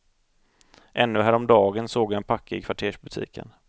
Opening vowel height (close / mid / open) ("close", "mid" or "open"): mid